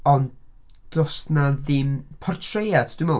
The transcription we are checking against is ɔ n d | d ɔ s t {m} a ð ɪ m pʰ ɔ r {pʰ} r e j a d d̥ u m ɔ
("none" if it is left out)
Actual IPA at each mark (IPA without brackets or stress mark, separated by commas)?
n, tʰ